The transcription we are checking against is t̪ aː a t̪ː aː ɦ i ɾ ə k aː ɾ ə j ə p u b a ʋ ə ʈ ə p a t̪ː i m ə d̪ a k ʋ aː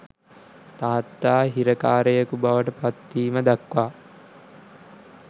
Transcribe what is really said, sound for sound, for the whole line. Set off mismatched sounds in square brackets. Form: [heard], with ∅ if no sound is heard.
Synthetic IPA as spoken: t̪ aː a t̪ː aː ɦ i ɾ ə k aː ɾ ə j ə [k] u b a ʋ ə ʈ ə p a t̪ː [iː] m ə d̪ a k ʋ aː